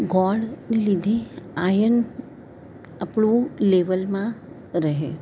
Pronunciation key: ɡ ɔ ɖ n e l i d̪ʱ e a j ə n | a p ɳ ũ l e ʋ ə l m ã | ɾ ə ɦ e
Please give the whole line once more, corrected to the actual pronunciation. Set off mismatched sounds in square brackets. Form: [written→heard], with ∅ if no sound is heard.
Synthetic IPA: ɡ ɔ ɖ n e l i d̪ʱ e a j ə n | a p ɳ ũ l e ʋ ə l m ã | ɾ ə ɦ e